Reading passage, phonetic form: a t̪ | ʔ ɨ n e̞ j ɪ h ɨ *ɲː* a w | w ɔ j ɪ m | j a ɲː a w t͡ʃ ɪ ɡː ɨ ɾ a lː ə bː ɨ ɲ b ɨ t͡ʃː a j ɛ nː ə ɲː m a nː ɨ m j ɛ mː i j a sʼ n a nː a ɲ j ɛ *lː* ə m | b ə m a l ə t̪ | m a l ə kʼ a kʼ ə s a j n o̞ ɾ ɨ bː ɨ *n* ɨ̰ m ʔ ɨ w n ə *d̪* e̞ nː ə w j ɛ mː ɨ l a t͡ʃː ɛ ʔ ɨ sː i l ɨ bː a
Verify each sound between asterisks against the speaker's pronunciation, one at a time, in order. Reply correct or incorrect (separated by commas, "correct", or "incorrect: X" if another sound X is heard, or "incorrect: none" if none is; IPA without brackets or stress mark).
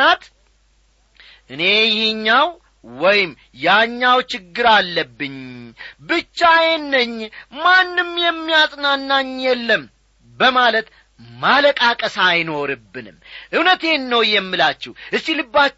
correct, correct, correct, incorrect: t̪